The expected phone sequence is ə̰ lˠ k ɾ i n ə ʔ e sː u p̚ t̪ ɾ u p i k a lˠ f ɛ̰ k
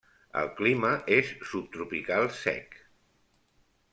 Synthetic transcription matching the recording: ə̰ lˠ k l i m ə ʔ e sː u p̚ t̪ ɾ u p i k a lˠ s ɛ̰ k